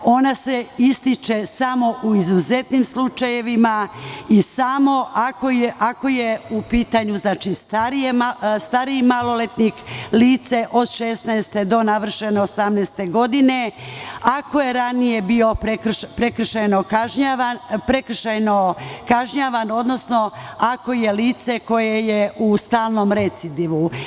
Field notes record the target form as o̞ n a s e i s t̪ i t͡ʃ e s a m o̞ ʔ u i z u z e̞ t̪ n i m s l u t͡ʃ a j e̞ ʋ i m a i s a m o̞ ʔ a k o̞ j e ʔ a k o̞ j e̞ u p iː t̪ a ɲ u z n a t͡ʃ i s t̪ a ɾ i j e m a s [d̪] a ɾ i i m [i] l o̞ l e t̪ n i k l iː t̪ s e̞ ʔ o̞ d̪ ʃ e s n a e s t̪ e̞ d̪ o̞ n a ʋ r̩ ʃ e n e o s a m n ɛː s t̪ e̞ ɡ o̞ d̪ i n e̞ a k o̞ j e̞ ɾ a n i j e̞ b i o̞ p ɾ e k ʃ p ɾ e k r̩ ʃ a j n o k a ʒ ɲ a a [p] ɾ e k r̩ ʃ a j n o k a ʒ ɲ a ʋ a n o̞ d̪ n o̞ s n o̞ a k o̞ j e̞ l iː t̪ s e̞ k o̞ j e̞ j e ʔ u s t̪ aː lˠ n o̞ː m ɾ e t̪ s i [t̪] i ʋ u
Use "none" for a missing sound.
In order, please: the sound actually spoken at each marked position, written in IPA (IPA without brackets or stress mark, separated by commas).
t̪, a, p, d̪